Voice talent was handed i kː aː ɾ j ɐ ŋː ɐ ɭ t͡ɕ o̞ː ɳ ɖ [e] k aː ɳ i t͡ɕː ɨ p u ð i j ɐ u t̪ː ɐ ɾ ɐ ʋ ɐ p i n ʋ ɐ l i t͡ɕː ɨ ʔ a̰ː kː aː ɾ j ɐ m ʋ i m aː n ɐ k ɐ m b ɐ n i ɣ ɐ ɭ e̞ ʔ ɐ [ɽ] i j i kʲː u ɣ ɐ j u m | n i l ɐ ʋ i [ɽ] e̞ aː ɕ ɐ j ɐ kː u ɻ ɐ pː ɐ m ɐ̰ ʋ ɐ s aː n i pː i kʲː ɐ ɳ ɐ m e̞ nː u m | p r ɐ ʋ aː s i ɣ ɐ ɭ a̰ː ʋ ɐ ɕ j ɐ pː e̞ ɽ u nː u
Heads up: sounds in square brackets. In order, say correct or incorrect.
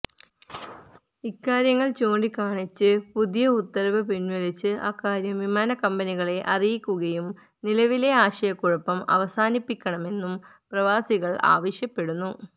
incorrect: i, incorrect: r, incorrect: l

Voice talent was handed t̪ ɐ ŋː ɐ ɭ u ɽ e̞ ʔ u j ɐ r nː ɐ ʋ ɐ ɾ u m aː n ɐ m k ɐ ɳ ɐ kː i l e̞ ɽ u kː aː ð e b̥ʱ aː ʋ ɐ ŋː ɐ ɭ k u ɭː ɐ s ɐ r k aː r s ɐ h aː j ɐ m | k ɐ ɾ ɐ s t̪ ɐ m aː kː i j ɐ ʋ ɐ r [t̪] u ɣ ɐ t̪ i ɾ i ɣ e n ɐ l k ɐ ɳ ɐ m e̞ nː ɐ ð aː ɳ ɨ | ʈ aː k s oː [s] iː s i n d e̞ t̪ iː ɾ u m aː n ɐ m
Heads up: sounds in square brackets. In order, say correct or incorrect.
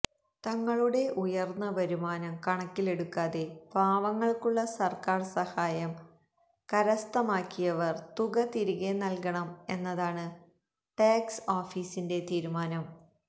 correct, incorrect: f

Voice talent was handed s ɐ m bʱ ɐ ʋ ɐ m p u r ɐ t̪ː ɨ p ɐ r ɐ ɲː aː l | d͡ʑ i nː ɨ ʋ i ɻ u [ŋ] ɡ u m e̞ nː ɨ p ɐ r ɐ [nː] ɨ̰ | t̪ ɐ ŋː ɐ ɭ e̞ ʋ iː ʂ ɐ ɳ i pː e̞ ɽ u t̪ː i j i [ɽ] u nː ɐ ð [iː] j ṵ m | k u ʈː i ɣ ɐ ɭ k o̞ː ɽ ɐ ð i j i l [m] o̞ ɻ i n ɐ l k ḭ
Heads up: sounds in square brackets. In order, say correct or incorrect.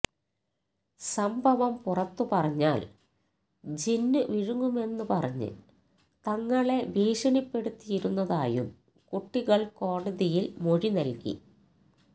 correct, incorrect: ɲː, incorrect: ɾ, incorrect: aː, correct

